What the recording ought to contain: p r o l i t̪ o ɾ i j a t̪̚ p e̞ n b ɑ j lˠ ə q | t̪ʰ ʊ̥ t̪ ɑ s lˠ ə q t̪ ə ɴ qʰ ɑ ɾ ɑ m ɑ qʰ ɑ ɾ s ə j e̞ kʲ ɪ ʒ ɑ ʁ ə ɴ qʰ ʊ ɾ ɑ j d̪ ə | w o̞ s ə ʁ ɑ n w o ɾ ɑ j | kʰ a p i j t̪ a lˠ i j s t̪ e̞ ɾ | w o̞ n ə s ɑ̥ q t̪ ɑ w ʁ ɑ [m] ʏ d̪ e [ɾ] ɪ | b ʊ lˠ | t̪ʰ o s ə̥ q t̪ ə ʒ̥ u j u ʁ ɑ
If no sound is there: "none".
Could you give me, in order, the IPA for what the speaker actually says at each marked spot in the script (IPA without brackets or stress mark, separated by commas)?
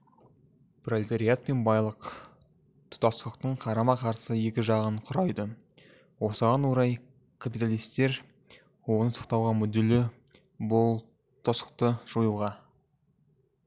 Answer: m, l